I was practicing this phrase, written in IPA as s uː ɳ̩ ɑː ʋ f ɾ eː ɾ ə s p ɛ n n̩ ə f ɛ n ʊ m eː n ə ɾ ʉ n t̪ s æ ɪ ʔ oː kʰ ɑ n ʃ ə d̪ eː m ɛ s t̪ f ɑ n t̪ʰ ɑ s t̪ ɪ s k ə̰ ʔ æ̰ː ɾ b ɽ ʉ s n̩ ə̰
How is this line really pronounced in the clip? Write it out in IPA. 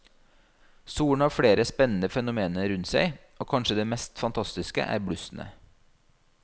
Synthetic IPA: s uː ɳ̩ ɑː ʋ f ɽ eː ɾ ə s p ɛ n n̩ ə f ɛ n ʊ m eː n ə ɾ ʉ n t̪ s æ ɪ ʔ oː kʰ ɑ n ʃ ə d̪ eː m ɛ s t̪ f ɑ n t̪ʰ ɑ s t̪ ɪ s k ə̰ ʔ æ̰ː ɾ b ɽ ʉ s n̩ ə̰